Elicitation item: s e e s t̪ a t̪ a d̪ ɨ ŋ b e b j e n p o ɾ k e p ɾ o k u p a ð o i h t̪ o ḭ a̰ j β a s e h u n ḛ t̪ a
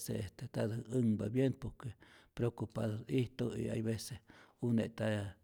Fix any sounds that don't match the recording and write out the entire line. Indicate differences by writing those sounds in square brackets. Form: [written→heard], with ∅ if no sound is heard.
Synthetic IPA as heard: s e e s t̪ [a→e] t̪ a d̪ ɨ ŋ b [e→a] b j e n p o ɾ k e p ɾ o k u p a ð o i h t̪ o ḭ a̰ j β [a→e] s e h u n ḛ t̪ a